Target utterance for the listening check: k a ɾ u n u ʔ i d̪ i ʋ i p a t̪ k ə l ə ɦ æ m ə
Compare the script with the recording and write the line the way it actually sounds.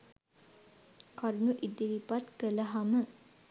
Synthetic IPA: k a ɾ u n u ʔ i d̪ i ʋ i p a t̪ k ə l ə ɦ a m ə